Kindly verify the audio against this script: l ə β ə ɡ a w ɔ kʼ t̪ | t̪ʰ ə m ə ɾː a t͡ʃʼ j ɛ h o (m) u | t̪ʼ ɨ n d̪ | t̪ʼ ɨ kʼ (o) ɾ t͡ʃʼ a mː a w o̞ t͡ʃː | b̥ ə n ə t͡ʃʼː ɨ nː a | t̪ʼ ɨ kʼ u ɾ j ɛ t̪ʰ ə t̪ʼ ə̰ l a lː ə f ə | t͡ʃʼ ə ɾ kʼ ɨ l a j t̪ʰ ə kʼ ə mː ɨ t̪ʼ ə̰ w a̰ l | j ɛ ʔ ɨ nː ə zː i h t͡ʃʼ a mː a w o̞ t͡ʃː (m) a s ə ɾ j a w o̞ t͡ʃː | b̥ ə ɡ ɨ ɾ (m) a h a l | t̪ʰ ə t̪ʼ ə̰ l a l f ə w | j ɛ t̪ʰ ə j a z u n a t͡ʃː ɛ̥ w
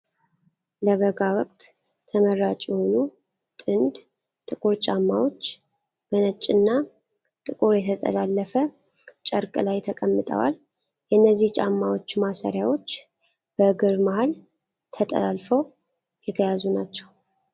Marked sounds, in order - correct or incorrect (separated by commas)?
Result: incorrect, incorrect, correct, correct